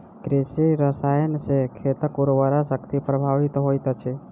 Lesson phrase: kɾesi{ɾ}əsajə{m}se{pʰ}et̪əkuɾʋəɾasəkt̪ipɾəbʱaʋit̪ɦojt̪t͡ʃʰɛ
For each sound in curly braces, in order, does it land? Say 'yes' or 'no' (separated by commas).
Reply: yes, no, no